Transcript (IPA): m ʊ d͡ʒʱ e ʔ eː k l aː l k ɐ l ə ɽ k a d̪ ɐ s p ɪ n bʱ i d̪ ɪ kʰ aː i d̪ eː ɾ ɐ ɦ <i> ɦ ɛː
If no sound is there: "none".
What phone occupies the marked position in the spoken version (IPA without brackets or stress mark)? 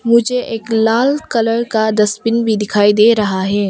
a